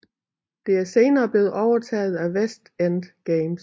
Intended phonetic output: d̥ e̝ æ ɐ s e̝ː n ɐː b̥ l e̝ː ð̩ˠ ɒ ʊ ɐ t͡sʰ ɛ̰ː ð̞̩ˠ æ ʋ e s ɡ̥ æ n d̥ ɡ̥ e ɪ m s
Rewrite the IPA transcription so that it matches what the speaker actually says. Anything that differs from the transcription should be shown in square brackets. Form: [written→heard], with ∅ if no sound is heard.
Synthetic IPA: d̥ e̝ æ ɐ s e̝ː n ɐː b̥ l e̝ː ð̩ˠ ɒ ʊ ɐ t͡sʰ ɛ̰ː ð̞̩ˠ æ ʋ e s [ɡ̥→d̥] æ n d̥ ɡ̥ e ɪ m s